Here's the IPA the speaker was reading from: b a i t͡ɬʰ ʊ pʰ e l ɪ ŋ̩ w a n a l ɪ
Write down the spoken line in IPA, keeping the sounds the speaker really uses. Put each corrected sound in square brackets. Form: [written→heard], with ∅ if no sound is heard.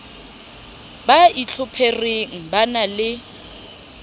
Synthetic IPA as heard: b a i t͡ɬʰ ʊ pʰ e [l→r] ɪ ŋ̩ [w→b] a n a l ɪ